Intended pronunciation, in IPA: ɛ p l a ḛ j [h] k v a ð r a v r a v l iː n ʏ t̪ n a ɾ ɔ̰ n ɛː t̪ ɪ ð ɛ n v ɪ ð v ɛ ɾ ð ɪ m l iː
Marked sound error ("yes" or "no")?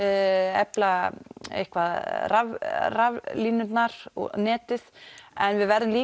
no